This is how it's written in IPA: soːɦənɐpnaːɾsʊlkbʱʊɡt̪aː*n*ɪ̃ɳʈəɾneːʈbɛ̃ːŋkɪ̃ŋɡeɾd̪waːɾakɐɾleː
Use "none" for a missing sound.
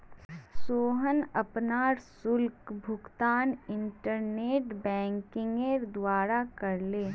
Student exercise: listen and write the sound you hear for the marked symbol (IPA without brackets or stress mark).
n